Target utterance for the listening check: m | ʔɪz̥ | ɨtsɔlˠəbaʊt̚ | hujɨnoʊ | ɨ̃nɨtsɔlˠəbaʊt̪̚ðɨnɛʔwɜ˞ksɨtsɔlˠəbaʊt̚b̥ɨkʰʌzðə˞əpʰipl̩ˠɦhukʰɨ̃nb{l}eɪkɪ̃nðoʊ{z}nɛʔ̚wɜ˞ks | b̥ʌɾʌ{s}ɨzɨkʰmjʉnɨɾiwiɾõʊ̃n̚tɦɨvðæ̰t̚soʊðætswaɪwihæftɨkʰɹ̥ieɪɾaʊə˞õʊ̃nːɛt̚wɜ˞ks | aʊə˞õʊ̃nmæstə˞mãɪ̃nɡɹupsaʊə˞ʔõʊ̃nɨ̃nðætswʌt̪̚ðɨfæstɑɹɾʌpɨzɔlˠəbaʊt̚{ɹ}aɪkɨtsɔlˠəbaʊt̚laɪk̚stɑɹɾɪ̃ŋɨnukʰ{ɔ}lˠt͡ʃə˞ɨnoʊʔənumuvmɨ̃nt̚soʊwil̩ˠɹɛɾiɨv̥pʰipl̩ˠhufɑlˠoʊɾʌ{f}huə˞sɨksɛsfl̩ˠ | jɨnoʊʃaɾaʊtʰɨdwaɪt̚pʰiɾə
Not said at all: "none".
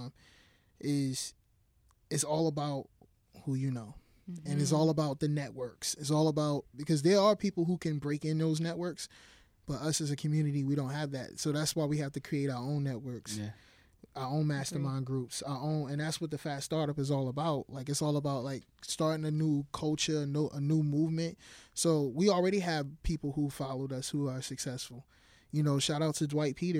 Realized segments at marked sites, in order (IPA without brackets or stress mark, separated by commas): ɹ, z, s, l, ʌ, s